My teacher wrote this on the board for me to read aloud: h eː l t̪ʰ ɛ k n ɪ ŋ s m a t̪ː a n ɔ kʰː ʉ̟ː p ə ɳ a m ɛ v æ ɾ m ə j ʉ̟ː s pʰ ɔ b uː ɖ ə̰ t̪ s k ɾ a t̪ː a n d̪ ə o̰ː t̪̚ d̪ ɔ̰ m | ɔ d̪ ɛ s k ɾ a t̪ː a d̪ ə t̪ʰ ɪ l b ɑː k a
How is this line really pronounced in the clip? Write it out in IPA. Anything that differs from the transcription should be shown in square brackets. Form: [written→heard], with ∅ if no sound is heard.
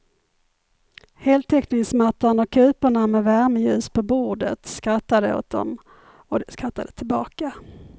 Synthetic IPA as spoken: h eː l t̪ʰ ɛ k n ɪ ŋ s m a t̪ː a n ɔ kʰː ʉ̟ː p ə ɳ a m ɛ v æ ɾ m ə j ʉ̟ː s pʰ ɔ b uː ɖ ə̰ t̪ s k ɾ a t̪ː a [n→∅] d̪ ə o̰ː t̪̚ d̪ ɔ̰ m | ɔ d̪ ɛ s k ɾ a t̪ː a d̪ ə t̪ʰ ɪ l b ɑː k a

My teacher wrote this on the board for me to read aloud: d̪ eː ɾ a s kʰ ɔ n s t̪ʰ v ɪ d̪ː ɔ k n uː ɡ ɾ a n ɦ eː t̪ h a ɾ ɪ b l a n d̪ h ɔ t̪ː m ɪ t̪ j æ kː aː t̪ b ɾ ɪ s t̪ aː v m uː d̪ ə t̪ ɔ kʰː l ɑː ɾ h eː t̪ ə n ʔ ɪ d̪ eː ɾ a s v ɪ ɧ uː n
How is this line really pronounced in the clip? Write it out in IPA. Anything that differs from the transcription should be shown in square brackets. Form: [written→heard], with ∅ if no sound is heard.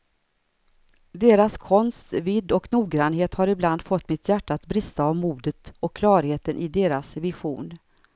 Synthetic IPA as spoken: d̪ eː ɾ a s kʰ ɔ n s [t̪ʰ→t̪] v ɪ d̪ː ɔ k n uː ɡ ɾ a n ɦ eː t̪ h a ɾ ɪ b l a n d̪ [h→f] ɔ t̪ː m ɪ t̪ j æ [kː→ʈː] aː t̪ b ɾ ɪ s t̪ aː v m uː d̪ ə t̪ ɔ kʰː l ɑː ɾ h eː t̪ ə n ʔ ɪ d̪ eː ɾ a s v ɪ ɧ uː n

